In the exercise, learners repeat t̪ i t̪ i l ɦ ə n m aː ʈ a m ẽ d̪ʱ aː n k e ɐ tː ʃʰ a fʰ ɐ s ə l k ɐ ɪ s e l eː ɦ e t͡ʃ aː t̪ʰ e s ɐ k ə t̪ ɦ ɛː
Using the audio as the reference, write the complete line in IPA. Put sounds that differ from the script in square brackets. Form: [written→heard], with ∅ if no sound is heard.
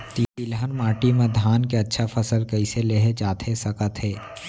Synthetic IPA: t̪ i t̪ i l ɦ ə n m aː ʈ [a→i] m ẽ d̪ʱ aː n k e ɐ tː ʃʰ a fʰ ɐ s ə l k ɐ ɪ s e l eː ɦ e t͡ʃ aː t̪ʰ e s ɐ k ə t̪ ɦ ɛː